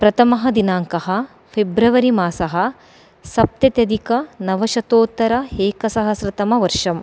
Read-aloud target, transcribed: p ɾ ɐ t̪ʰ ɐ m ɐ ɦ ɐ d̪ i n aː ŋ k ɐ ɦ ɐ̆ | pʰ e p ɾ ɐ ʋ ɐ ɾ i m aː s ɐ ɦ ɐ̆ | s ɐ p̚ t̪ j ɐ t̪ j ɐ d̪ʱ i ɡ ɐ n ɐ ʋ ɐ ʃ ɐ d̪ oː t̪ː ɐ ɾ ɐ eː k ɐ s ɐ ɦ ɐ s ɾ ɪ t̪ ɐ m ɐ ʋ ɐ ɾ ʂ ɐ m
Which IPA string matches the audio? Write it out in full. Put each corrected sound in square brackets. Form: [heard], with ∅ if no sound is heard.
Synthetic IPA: p ɾ ɐ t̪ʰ ɐ m ɐ ɦ ɐ d̪ i n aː ŋ k ɐ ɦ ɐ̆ | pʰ e [b] ɾ ɐ ʋ ɐ ɾ i m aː s ɐ ɦ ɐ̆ | s ɐ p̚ t̪ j ɐ t̪ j ɐ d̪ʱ i [k] ɐ n ɐ ʋ ɐ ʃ ɐ [t̪] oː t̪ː ɐ ɾ ɐ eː k ɐ s ɐ ɦ ɐ s ɾ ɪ t̪ ɐ m ɐ ʋ ɐ ɾ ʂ ɐ m